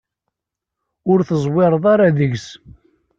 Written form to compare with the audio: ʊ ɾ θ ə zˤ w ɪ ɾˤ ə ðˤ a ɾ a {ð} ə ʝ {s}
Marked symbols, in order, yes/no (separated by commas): yes, yes